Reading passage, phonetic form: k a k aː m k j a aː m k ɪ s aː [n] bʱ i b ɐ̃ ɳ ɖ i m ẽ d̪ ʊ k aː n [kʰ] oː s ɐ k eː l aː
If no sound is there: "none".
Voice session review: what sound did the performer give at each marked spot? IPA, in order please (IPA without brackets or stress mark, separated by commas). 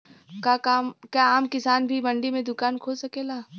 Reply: n, kʰ